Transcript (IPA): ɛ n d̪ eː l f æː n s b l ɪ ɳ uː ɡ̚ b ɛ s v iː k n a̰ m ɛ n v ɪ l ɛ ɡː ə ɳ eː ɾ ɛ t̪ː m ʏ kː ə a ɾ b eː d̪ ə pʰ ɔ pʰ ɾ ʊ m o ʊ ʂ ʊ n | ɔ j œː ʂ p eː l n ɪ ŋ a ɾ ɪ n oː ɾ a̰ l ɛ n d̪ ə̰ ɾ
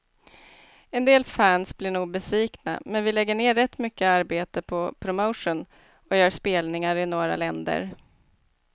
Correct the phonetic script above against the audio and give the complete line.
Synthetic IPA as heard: ɛ n d̪ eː l f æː n s b l ɪ ɳ uː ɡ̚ b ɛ s v iː k n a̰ m ɛ n v ɪ l ɛ ɡː ə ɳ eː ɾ ɛ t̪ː m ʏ kː ə a ɾ b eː t̪ ə pʰ ɔ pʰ ɾ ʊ m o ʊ ʂ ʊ n | ɔ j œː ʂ p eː l n ɪ ŋ a ɾ ɪ n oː ɾ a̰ l ɛ n d̪ ə̰ ɾ